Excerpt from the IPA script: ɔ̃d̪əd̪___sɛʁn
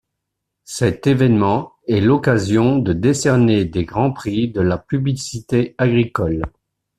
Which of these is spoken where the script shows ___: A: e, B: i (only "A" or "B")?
A